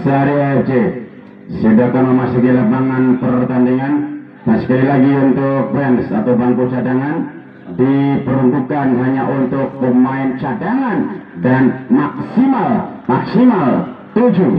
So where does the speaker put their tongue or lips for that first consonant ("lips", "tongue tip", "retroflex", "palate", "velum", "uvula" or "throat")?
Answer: tongue tip